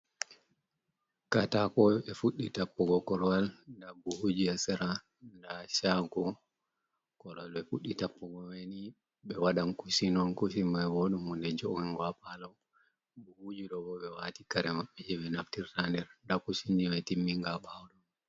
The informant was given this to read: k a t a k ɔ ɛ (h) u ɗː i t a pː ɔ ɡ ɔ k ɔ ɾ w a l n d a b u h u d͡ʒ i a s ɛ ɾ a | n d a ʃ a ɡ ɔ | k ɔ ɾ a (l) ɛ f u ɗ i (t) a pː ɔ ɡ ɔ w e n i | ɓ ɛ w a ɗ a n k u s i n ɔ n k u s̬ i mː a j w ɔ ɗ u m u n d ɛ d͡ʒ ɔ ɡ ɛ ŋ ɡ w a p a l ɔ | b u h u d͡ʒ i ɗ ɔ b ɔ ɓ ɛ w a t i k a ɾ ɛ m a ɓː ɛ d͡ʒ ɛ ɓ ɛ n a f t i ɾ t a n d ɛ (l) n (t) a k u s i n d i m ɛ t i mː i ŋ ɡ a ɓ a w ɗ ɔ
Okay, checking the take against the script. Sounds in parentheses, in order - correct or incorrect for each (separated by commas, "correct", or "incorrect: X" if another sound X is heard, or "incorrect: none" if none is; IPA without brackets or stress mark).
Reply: incorrect: f, correct, correct, incorrect: ɾ, incorrect: d